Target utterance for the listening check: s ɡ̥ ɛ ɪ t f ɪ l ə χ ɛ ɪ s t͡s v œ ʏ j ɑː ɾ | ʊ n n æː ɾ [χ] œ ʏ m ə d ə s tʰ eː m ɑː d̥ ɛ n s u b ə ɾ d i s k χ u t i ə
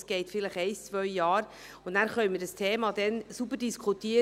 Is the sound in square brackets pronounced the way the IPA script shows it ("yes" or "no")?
yes